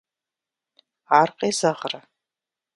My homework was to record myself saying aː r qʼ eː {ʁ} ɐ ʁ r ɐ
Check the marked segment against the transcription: incorrect: z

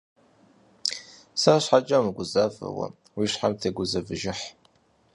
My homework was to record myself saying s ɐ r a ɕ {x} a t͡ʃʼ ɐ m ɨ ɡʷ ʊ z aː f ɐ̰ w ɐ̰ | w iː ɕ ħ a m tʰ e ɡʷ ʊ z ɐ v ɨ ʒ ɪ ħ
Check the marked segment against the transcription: incorrect: ħ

